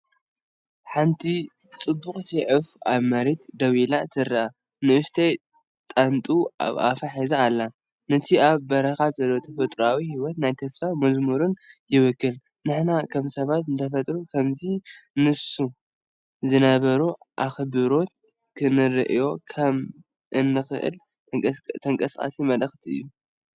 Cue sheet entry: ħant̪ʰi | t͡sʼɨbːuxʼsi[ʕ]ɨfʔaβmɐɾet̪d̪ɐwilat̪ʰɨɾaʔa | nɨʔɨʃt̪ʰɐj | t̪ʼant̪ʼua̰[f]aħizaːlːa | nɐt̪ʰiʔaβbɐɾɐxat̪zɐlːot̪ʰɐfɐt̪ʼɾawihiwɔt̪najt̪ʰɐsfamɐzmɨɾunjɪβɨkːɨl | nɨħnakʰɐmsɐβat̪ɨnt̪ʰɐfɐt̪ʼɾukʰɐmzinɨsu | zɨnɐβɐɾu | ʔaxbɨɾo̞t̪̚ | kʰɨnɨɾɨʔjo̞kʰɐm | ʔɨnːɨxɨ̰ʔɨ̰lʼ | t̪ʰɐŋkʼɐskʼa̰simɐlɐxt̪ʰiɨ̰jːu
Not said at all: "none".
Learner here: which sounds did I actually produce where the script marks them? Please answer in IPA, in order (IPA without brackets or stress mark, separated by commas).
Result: ʕ, f